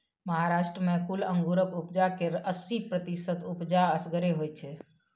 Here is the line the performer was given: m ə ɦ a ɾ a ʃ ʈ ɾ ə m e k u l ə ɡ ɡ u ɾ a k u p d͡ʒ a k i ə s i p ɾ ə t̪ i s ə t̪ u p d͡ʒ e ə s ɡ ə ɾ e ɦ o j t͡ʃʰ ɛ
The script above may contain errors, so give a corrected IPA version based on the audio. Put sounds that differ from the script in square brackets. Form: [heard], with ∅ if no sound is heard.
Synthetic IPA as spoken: m ə ɦ a ɾ a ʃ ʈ ɾ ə m e k u l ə [ŋ] ɡ u ɾ [ə] k u p d͡ʒ a k [e] ə s i p ɾ ə t̪ i s ə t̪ u p d͡ʒ [a] ə s ɡ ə ɾ e ɦ o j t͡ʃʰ ɛ